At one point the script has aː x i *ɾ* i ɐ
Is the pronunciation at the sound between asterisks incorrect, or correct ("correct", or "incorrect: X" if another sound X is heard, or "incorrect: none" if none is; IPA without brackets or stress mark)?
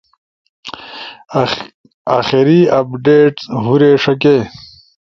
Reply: correct